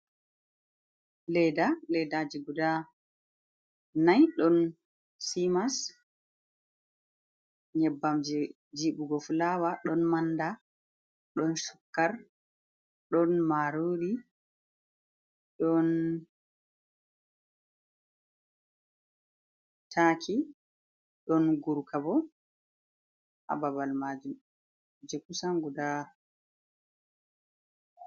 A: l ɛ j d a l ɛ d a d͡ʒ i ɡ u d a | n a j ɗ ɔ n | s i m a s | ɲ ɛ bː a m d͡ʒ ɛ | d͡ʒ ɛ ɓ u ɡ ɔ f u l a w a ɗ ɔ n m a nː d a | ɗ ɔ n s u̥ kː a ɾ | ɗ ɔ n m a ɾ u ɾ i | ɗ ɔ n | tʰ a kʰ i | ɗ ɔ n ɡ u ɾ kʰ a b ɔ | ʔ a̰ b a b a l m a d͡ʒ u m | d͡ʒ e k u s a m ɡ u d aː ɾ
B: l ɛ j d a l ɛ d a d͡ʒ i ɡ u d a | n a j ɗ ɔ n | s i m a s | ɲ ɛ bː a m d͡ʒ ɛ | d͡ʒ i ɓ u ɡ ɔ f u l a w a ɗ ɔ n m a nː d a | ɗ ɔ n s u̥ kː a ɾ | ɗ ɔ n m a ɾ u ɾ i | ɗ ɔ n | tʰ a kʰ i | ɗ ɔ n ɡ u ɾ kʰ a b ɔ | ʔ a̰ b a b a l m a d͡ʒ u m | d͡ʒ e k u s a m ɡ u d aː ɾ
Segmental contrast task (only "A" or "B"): B